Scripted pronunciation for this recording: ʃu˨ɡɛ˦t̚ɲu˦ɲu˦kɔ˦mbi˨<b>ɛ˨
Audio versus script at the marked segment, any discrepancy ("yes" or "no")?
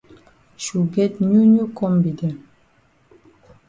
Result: yes